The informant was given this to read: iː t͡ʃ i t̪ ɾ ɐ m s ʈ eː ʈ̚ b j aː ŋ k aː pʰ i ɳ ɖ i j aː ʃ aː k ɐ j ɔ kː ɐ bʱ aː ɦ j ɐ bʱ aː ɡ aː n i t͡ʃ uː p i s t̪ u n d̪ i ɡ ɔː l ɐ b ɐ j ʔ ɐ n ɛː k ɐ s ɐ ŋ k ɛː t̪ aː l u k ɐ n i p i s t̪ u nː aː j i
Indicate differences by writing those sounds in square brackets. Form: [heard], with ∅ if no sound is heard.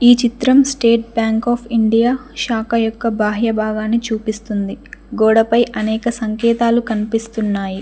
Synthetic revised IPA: iː t͡ʃ i t̪ ɾ ɐ m s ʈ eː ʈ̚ b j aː ŋ k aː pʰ i ɳ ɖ i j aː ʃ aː k ɐ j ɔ kː ɐ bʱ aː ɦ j ɐ bʱ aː ɡ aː n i t͡ʃ uː p i s t̪ u n d̪ i ɡ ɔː [ɽ] ɐ [p] ɐ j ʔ ɐ n ɛː k ɐ s ɐ ŋ k ɛː t̪ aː l u k ɐ n i p i s t̪ u nː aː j i